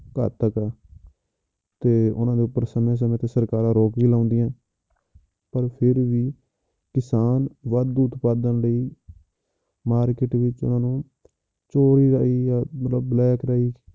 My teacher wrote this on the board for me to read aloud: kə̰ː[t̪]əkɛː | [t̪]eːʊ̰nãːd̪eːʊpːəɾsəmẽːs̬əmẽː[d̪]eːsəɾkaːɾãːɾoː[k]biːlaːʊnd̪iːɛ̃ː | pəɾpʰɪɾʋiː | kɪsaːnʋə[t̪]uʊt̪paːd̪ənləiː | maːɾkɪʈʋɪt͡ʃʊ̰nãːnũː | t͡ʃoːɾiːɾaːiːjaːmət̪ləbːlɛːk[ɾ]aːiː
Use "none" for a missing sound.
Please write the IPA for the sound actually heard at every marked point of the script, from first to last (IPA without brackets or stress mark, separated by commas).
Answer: t̪, t̪, t̪, k, d̪, ɾ